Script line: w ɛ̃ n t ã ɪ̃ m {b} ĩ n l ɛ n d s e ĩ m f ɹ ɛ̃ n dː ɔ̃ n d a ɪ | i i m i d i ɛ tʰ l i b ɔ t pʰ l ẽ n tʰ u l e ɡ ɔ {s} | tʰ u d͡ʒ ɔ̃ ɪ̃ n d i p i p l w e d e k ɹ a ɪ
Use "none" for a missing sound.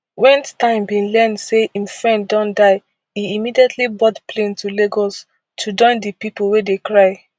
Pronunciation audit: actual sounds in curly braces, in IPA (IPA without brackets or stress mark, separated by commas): b, s